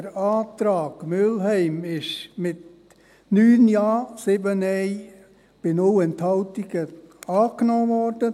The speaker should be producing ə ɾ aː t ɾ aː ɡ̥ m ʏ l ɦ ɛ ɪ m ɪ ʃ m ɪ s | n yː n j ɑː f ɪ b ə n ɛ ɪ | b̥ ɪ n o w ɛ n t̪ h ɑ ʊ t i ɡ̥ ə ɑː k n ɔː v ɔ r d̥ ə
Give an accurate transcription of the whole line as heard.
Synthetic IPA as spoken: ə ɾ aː t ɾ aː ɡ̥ m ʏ l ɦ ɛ ɪ m ɪ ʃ m ɪ t | n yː n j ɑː s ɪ b ə n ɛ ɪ | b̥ ɪ n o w ɛ n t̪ h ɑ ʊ t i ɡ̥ ə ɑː k n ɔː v ɔ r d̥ ə